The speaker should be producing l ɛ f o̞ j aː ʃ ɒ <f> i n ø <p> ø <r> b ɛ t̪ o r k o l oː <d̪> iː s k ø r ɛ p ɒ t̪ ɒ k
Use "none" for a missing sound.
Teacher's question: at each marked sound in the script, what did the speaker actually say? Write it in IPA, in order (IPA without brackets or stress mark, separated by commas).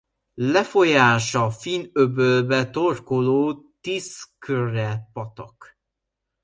f, b, l, t̪